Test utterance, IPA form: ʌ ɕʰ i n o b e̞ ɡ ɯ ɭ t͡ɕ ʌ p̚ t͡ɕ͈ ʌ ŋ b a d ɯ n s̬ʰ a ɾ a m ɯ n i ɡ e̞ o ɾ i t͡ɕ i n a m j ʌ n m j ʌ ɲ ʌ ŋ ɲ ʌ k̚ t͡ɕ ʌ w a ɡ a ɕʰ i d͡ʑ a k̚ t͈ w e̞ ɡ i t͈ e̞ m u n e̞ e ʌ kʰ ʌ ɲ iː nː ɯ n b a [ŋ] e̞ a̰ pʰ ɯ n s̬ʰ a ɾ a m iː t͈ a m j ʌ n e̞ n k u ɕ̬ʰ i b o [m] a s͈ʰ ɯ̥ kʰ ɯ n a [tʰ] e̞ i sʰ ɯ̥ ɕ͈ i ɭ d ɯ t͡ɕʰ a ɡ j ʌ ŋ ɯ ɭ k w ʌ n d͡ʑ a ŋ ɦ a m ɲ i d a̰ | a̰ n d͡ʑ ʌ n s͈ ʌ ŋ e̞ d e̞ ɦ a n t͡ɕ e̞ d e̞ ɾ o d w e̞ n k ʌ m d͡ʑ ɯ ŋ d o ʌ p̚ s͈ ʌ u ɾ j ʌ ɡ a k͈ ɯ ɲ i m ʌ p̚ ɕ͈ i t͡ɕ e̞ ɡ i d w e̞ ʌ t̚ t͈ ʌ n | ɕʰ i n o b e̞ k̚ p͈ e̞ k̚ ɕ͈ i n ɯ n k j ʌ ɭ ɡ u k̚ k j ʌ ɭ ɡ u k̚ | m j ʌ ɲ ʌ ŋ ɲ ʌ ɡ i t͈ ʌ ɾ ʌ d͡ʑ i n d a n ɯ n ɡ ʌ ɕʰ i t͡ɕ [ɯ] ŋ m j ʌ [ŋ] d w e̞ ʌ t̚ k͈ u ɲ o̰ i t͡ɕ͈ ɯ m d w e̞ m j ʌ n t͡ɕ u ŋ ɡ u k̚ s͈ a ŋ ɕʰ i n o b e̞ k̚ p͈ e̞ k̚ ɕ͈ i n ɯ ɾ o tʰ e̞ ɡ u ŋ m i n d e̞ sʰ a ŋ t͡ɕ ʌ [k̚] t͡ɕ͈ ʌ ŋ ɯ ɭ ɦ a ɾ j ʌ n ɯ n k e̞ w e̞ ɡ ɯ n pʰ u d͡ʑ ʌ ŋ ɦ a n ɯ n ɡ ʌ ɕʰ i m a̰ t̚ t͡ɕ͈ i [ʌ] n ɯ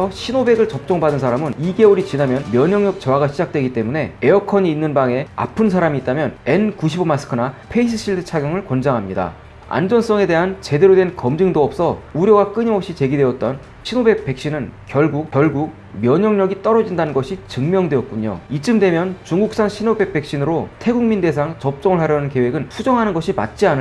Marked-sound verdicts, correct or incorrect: correct, correct, incorrect: pʰ, correct, correct, incorrect: p̚, incorrect: a

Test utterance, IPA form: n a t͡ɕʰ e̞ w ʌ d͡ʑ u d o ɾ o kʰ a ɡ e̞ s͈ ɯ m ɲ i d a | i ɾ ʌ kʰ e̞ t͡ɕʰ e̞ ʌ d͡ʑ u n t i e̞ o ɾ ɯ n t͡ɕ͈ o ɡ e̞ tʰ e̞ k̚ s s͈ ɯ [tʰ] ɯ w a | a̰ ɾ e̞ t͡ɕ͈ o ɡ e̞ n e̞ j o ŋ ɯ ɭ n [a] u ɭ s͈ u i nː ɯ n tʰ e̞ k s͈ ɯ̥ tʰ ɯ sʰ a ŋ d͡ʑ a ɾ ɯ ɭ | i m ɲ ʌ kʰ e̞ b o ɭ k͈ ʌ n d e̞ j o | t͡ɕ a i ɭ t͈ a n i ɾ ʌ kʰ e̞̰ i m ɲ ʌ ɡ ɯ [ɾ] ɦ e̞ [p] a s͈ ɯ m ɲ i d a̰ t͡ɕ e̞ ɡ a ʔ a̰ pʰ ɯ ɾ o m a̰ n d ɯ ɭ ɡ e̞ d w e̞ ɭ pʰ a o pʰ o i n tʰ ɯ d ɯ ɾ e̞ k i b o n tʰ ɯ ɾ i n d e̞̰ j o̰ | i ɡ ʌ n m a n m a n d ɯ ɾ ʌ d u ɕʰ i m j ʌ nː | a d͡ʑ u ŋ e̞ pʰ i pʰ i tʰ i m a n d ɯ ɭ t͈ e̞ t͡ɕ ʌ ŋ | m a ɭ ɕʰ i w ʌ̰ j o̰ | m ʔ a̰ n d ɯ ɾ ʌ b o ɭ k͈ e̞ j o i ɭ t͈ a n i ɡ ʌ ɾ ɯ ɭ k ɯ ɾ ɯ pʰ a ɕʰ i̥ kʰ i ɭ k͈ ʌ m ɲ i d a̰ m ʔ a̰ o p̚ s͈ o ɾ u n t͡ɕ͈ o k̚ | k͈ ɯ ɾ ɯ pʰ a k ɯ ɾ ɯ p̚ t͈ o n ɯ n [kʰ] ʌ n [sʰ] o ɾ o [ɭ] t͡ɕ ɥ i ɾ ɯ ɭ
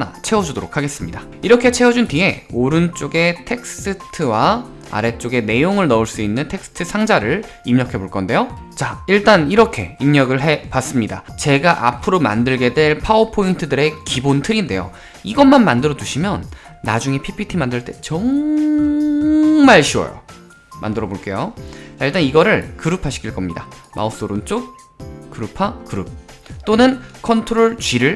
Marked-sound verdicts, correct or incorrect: correct, incorrect: ʌ, incorrect: ɭ, correct, correct, incorrect: tʰ, correct

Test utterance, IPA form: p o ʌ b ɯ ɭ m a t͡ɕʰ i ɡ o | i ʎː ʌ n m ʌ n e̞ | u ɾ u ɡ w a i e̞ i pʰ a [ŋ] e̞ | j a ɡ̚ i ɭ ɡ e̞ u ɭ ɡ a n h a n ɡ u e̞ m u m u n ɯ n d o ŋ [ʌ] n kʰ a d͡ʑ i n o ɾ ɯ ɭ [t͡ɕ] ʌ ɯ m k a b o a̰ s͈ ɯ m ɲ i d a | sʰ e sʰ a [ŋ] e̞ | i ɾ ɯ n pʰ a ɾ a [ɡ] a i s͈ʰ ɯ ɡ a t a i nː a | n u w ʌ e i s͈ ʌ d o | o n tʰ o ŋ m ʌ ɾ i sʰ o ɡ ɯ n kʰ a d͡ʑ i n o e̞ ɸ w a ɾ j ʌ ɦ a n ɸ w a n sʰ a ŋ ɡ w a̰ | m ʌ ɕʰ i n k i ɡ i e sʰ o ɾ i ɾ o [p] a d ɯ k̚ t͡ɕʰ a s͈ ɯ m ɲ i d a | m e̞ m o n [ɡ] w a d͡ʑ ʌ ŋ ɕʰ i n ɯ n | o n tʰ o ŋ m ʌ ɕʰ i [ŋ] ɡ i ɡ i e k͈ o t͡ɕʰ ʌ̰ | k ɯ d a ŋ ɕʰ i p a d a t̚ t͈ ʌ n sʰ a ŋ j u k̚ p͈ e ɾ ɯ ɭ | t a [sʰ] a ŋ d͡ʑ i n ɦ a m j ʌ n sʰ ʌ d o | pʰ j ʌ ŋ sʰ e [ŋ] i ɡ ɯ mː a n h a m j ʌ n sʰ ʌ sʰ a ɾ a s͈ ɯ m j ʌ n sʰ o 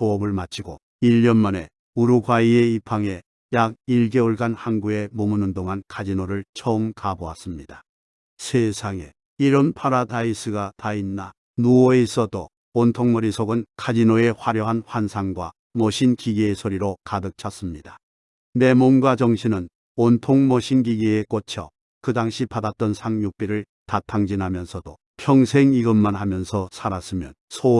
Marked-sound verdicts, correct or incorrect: correct, incorrect: a, incorrect: t͡ɕʰ, correct, incorrect: d, incorrect: k, correct, incorrect: n, incorrect: tʰ, correct

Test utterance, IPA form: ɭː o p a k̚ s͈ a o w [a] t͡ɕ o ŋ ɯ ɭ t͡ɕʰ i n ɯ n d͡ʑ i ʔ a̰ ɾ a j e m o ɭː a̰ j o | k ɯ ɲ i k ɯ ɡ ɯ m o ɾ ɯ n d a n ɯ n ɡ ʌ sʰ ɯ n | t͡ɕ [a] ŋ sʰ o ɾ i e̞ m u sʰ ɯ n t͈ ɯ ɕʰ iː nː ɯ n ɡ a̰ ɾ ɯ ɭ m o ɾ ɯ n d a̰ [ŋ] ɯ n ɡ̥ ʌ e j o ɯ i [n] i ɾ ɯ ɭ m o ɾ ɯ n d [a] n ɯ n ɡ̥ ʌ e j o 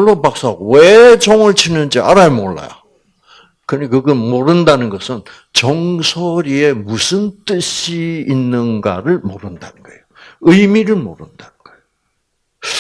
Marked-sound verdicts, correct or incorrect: incorrect: e, incorrect: ʌ, incorrect: n, incorrect: m, correct

